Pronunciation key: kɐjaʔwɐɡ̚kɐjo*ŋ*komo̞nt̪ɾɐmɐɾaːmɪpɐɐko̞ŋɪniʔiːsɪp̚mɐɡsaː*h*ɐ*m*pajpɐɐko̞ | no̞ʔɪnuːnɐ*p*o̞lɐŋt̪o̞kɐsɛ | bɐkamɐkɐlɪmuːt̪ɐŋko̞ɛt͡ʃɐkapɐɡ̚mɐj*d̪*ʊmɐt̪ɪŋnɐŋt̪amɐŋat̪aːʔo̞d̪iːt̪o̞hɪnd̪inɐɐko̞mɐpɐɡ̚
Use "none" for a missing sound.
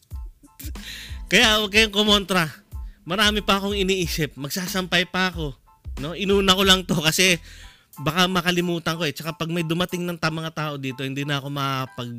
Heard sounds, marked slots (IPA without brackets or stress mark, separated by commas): ŋ, s, m, k, d̪